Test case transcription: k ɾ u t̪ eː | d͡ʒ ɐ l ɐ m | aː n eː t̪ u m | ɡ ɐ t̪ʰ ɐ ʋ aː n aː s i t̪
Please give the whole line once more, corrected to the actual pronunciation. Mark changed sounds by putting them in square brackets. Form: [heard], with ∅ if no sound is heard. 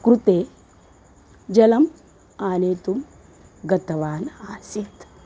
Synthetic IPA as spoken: k ɾ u t̪ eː | d͡ʒ ɐ l ɐ m | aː n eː t̪ u m | ɡ ɐ [t̪] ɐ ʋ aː n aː s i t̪